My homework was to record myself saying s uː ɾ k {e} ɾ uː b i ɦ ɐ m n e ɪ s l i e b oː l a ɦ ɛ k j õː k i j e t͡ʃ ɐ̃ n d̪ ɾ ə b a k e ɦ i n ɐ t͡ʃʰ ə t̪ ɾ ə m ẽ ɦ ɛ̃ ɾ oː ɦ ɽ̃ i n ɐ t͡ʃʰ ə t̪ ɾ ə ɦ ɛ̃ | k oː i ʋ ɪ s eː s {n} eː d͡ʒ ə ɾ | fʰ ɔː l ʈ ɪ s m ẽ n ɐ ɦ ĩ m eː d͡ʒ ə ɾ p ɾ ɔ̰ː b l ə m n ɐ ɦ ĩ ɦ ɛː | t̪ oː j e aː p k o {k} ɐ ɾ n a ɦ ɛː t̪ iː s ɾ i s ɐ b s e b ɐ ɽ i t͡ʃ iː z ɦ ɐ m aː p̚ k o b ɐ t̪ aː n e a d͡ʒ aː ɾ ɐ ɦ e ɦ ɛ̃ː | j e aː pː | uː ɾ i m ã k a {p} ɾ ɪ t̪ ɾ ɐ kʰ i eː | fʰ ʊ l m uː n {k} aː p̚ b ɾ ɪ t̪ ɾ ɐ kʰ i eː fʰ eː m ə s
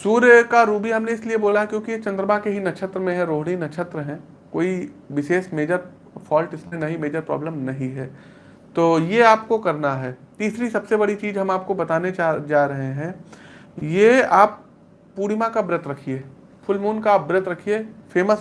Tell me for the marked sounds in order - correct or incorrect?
incorrect: a, incorrect: m, correct, incorrect: b, correct

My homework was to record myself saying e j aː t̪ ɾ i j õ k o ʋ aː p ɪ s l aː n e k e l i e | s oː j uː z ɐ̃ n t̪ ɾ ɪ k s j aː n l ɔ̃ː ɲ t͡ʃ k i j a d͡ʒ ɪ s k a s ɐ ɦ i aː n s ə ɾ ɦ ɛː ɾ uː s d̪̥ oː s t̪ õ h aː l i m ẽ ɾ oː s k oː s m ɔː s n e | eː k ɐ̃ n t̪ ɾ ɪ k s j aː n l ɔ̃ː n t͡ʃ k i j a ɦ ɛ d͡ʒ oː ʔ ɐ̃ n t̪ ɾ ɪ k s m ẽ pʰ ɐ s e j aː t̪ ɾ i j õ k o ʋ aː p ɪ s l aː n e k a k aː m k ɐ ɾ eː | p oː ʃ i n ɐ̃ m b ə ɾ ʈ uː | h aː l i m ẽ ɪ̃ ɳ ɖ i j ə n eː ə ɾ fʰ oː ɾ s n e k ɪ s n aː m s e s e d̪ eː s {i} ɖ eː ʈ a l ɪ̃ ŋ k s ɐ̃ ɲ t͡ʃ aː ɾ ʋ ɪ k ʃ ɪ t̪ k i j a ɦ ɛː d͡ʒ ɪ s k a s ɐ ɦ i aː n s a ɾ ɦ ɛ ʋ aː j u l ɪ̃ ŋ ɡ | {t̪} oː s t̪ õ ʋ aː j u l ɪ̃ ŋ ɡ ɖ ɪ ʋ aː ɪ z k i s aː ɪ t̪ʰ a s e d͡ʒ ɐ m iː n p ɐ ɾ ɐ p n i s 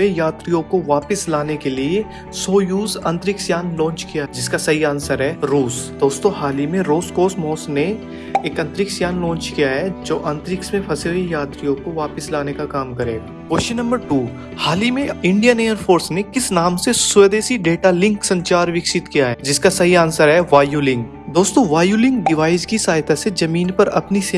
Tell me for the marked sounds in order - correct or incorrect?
correct, incorrect: d̪

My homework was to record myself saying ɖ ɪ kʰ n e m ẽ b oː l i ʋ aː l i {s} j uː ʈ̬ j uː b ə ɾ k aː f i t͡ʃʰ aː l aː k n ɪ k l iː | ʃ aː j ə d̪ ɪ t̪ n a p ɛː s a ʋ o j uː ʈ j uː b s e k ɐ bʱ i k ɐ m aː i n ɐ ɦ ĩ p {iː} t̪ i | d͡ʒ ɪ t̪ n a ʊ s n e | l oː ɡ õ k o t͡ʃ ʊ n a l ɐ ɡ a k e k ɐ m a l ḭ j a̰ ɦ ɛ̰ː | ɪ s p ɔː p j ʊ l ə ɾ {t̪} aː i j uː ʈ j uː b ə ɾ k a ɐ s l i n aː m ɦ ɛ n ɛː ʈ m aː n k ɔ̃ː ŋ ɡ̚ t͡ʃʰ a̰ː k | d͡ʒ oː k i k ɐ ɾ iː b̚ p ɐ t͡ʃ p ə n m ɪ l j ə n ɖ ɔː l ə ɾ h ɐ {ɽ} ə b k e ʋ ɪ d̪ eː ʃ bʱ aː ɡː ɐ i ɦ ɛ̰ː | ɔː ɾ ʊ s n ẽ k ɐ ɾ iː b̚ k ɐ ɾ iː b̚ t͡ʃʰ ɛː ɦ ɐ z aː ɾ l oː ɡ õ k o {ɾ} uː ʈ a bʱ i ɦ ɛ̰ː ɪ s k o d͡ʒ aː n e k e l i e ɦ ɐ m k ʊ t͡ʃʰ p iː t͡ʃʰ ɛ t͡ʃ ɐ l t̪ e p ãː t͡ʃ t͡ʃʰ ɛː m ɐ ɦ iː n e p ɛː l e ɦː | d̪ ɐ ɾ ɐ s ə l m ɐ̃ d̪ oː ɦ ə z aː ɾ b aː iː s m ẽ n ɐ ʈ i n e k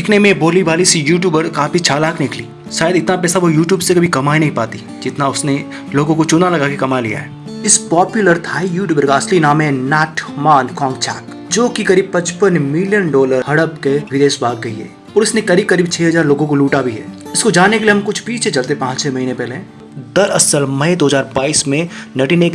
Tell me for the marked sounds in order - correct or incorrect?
correct, incorrect: aː, incorrect: t̪ʰ, correct, incorrect: l

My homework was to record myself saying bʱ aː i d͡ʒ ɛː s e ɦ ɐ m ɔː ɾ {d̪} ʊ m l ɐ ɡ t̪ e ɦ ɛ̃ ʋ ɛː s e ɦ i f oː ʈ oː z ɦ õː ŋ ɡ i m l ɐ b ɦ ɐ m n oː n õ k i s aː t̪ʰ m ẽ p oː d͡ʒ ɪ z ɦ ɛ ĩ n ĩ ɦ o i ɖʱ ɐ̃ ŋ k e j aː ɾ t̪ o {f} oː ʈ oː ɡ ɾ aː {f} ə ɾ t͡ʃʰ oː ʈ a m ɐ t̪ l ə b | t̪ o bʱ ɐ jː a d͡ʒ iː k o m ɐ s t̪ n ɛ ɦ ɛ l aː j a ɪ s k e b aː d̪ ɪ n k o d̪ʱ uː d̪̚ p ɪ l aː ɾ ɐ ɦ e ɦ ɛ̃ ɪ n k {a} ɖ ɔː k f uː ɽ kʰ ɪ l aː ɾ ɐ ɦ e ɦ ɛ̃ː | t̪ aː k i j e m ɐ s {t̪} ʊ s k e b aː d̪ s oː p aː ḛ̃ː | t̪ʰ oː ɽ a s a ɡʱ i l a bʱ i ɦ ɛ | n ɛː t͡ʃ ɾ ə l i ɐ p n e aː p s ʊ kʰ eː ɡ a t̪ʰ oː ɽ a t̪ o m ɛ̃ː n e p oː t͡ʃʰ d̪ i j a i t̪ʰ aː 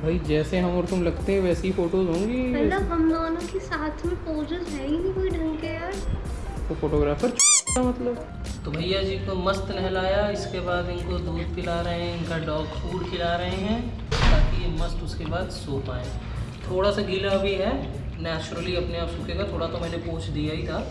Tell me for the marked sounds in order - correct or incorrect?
incorrect: t̪, correct, correct, correct, correct

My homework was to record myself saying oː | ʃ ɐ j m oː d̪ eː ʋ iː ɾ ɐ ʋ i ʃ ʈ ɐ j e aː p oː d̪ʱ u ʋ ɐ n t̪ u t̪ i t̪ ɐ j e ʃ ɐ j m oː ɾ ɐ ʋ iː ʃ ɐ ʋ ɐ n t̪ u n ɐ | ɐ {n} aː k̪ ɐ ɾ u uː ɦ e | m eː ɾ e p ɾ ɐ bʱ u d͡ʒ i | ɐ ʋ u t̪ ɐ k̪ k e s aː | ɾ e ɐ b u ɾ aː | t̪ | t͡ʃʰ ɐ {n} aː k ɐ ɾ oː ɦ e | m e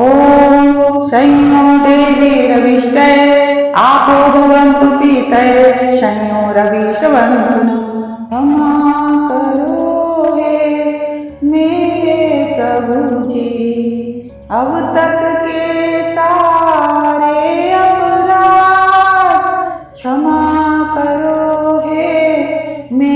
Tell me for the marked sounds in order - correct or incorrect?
incorrect: m, incorrect: m

